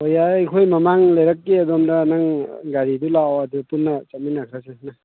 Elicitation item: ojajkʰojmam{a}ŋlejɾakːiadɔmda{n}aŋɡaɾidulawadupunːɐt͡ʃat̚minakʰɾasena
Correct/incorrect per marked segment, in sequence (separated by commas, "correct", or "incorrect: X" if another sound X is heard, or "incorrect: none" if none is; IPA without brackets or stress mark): correct, correct